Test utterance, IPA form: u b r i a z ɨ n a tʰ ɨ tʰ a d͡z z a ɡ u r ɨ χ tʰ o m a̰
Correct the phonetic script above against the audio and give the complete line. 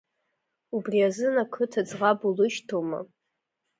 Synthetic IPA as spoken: u b r i a z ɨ n a kʰ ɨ tʰ a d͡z ʁ a b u l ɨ ʃ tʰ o m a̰